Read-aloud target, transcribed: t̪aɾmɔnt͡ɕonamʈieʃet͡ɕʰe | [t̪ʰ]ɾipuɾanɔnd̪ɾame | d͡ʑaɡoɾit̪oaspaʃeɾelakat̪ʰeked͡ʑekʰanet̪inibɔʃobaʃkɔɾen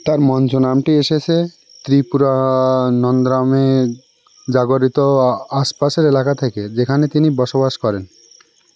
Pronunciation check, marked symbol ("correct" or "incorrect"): incorrect